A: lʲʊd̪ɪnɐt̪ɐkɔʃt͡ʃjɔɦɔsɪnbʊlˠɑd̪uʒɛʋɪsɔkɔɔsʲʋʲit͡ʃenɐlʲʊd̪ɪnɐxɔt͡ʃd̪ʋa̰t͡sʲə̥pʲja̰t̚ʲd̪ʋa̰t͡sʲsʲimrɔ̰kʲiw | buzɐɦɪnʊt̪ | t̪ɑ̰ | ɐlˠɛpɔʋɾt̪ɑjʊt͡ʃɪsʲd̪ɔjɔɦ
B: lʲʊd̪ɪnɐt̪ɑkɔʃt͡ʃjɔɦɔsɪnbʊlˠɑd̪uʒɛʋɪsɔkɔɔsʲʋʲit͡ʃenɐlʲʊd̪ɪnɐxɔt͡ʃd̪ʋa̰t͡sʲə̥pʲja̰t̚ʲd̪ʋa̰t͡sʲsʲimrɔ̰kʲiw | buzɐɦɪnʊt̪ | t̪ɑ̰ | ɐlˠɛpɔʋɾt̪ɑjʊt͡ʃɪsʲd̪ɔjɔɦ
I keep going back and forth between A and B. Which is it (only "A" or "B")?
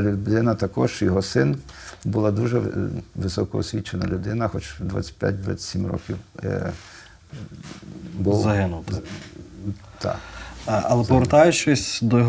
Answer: A